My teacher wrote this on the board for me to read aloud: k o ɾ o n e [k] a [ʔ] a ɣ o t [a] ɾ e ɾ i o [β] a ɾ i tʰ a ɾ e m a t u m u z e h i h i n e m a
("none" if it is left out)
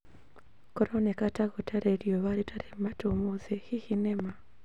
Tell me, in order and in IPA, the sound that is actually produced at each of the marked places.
k, t, a, β

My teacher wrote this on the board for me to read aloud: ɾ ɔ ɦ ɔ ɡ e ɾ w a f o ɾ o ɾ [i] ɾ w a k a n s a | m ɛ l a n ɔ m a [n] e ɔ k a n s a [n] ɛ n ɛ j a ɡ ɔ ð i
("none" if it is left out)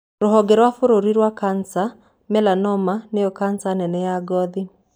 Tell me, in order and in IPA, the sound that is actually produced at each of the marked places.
i, n, n

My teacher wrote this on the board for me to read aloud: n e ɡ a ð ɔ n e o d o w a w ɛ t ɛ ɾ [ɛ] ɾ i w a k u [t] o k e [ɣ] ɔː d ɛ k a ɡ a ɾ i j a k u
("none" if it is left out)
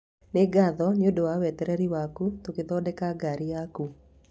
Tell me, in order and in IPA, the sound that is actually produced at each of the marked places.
ɛ, t, ð

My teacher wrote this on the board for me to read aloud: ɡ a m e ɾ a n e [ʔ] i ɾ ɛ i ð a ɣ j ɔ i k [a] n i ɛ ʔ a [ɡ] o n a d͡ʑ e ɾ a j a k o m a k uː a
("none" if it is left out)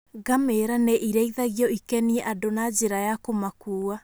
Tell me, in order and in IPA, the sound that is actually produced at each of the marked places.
ʔ, ɛ, d

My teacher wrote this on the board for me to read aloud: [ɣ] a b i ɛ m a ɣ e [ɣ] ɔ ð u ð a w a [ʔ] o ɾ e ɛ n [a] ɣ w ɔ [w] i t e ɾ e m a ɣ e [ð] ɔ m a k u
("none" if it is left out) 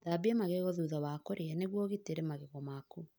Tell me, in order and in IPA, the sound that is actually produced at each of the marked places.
ð, ɣ, k, e, ɣ, ɣ

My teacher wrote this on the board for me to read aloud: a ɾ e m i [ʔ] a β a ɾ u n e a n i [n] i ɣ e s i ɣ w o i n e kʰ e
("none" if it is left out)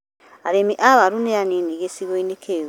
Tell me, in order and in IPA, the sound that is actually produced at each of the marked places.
ʔ, n

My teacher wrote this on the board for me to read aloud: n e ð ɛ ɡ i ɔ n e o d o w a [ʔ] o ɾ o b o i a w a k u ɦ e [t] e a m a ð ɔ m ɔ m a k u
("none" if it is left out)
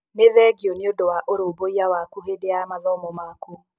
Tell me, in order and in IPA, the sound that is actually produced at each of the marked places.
ʔ, d

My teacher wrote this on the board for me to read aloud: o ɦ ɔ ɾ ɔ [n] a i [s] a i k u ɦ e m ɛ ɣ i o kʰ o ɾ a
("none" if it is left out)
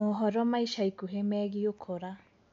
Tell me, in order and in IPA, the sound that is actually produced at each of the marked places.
m, ʃ

